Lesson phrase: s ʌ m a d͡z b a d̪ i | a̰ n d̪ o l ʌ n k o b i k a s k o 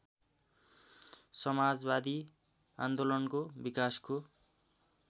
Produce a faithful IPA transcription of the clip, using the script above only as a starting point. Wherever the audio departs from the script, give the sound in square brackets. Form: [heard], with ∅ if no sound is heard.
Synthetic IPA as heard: s ʌ m a d͡z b a d̪ i | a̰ n d̪ o l ʌ n k o b i k a s k o